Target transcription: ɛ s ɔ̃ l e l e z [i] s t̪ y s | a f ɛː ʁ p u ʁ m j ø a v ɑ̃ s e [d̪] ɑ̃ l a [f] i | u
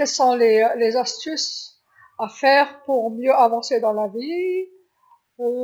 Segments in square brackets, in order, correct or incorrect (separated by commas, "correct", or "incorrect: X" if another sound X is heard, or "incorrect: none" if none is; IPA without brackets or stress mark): incorrect: a, correct, incorrect: v